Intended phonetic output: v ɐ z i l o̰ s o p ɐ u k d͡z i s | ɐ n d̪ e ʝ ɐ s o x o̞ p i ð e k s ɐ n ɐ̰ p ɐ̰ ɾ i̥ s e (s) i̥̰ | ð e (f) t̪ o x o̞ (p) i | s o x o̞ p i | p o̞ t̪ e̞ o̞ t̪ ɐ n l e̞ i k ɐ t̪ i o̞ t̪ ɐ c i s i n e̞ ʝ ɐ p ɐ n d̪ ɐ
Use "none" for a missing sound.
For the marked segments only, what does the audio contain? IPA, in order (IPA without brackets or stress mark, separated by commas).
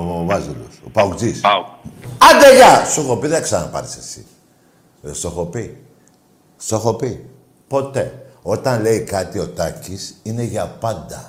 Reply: s, s, p